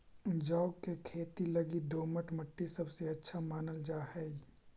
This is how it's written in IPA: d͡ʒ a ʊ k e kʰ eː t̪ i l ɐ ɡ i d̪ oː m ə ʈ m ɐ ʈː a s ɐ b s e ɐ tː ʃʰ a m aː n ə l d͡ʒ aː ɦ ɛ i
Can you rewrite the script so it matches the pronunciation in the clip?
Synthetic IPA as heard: d͡ʒ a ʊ k e kʰ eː t̪ i l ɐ ɡ i d̪ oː m ə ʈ m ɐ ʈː i s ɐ b s e ɐ tː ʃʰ a m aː n ə l d͡ʒ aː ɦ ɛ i